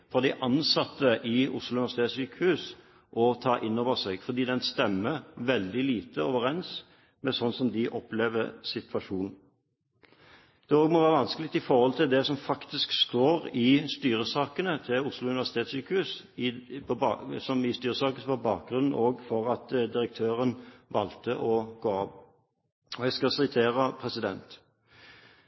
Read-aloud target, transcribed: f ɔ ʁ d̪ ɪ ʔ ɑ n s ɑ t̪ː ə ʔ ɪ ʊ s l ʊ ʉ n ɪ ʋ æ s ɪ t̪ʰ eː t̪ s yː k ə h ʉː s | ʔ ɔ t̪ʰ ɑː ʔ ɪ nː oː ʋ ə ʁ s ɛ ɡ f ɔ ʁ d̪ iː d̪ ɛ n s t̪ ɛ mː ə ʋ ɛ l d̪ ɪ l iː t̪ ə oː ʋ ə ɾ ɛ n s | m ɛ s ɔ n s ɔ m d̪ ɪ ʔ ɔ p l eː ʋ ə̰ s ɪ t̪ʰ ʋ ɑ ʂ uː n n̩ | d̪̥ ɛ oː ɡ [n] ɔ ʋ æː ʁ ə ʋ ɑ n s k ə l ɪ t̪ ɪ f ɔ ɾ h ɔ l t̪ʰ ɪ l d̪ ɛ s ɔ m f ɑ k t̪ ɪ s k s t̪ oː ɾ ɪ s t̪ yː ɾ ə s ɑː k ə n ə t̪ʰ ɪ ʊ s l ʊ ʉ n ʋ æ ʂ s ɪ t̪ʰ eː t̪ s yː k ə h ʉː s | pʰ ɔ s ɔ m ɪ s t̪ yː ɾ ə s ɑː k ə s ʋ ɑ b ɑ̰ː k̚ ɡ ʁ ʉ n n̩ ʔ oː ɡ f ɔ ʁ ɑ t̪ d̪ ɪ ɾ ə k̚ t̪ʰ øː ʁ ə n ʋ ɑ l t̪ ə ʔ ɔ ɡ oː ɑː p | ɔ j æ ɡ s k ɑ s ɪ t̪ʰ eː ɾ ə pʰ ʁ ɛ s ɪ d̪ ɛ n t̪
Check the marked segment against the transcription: incorrect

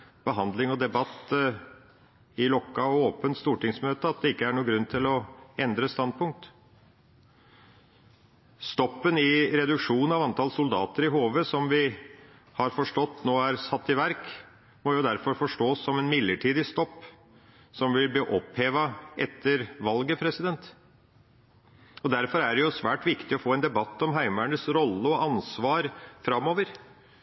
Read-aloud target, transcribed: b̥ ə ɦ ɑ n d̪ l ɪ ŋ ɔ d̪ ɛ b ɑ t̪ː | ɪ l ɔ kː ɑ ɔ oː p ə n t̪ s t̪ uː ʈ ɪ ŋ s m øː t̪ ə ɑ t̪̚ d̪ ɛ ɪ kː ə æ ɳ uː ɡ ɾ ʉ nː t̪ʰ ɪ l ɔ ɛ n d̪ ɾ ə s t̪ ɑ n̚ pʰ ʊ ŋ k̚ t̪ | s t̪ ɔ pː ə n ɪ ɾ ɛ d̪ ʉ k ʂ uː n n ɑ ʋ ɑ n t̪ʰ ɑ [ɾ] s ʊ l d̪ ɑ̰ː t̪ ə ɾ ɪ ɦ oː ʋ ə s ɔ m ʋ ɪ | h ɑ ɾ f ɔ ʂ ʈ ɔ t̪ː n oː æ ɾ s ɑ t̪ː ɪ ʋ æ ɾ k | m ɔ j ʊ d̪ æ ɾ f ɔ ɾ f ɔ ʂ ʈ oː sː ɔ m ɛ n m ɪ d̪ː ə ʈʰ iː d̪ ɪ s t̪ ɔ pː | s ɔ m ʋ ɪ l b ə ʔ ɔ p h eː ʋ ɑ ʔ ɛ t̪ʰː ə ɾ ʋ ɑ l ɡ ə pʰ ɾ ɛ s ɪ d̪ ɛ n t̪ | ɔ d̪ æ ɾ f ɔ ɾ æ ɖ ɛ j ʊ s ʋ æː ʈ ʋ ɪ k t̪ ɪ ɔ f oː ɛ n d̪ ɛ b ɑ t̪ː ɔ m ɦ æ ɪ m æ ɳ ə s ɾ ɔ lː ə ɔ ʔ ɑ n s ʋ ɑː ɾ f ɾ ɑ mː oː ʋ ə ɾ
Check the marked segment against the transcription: incorrect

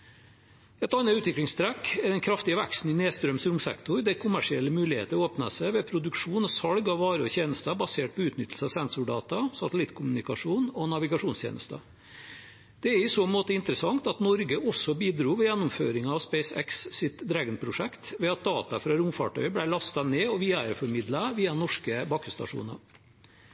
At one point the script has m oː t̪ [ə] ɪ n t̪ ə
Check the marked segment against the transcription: correct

